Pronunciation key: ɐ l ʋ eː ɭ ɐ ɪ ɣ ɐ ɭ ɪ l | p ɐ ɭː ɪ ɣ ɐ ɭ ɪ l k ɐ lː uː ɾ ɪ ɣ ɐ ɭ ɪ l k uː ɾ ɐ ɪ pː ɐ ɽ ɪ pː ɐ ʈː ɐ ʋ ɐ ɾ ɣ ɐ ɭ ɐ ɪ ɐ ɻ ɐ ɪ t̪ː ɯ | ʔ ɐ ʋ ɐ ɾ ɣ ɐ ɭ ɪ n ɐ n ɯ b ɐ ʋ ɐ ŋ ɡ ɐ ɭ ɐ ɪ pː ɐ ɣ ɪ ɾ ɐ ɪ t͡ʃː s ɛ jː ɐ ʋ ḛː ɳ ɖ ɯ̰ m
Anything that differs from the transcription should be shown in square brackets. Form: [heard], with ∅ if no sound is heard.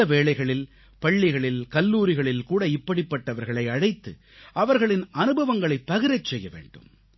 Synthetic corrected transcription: ɐ [∅] ʋ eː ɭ ɐ ɪ ɣ ɐ ɭ ɪ l | p ɐ ɭː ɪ ɣ ɐ ɭ ɪ l k ɐ lː uː ɾ ɪ ɣ ɐ ɭ ɪ l k uː [ɽ] ɐ ɪ pː ɐ ɽ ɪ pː ɐ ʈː ɐ ʋ ɐ ɾ ɣ ɐ ɭ ɐ ɪ ɐ ɻ ɐ ɪ t̪ː ɯ | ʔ ɐ ʋ ɐ ɾ ɣ ɐ ɭ ɪ n ɐ n ɯ b ɐ ʋ ɐ ŋ ɡ ɐ ɭ ɐ ɪ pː ɐ ɣ ɪ ɾ ɐ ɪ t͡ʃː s ɛ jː ɐ ʋ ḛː ɳ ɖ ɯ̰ m